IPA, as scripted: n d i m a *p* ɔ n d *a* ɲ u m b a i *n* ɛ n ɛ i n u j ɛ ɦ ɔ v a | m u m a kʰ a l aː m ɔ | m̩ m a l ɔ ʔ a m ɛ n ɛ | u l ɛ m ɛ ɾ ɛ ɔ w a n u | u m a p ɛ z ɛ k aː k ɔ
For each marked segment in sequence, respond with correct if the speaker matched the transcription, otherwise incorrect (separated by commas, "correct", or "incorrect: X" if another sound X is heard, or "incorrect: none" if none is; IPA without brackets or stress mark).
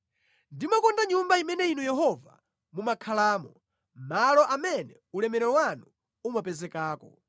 incorrect: k, correct, incorrect: m